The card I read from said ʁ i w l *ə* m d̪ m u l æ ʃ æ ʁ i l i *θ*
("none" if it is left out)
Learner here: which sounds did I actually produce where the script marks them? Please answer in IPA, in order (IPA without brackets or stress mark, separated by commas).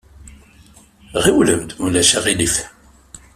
ə, f